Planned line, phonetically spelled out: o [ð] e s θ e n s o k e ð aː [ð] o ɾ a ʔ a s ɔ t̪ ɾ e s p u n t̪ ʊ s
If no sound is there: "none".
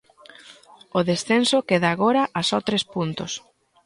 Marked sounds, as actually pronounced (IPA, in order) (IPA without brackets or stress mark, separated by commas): ð, ɣ